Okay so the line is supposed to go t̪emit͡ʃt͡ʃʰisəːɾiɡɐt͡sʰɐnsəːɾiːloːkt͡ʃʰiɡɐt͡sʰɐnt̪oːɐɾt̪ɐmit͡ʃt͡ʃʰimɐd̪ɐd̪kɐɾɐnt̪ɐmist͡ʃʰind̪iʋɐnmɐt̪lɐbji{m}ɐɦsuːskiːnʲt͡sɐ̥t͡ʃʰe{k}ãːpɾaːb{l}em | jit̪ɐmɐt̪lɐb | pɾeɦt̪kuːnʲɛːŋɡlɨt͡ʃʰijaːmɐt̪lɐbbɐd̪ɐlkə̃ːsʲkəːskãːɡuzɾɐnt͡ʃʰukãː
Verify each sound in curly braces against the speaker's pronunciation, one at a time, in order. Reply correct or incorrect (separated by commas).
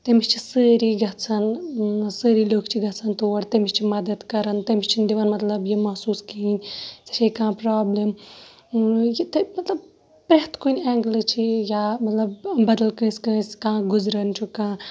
correct, correct, correct